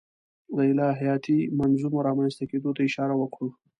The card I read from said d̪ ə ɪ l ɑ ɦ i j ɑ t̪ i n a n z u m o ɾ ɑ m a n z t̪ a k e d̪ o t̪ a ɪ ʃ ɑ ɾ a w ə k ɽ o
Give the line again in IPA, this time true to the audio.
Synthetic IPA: d̪ ə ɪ l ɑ ɦ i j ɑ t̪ i m a n z u m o ɾ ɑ m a n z t̪ a k e d̪ o t̪ a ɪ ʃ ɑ ɾ a w ə k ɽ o